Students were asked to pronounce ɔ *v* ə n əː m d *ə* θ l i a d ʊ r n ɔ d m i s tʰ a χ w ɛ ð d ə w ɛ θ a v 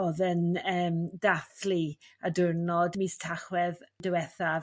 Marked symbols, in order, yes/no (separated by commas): no, no